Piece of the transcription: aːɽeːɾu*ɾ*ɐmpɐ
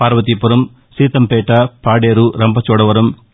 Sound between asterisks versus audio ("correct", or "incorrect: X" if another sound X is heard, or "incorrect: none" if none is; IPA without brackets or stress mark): correct